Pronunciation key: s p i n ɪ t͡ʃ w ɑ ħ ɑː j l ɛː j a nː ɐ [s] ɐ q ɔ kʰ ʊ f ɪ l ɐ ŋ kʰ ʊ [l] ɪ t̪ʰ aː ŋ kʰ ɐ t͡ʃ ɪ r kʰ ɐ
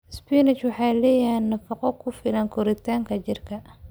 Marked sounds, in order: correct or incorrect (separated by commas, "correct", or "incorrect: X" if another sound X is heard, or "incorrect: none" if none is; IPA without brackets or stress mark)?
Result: incorrect: f, incorrect: ɾ